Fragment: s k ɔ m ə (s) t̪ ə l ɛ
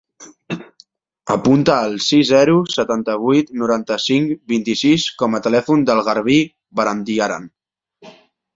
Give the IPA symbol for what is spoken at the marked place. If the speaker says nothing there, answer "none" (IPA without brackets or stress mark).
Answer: none